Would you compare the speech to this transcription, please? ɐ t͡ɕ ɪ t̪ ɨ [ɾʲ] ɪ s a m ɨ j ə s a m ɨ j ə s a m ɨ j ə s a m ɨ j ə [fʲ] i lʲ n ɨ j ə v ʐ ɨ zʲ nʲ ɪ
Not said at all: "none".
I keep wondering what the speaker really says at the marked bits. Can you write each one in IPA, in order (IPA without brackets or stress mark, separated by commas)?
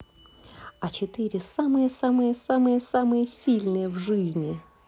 ɾʲ, sʲ